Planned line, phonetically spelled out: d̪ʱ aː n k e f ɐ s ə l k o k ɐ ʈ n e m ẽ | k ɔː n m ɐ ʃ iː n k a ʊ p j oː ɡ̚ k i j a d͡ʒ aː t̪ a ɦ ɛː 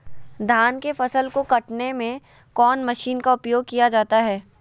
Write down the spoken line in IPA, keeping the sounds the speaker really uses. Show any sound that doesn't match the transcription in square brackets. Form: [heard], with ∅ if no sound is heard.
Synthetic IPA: d̪ʱ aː n k e f ɐ s ə l k o k ɐ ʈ n e m ẽ | k ɔː n m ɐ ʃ iː n k a ʊ p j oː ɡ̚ k i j a d͡ʒ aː t̪ a ɦ ɛː